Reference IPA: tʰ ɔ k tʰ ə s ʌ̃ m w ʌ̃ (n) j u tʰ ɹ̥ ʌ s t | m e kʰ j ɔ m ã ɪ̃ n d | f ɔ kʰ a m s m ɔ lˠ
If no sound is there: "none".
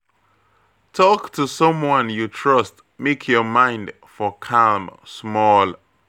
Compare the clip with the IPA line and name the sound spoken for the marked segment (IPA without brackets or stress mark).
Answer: n